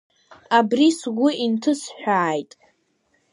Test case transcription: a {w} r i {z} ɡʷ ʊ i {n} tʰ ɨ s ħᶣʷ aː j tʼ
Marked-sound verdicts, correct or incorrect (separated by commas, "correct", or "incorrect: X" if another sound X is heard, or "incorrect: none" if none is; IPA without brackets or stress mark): incorrect: b, incorrect: s, correct